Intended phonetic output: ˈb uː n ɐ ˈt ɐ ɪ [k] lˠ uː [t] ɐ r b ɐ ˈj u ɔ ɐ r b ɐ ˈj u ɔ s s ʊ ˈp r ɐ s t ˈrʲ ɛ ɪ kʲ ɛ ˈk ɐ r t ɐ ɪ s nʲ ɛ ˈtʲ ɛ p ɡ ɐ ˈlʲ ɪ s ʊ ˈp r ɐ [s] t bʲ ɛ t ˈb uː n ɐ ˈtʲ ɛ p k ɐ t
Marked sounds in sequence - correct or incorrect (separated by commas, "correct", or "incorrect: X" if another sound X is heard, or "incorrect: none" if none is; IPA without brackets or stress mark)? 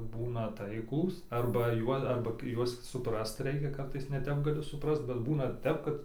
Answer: correct, incorrect: s, correct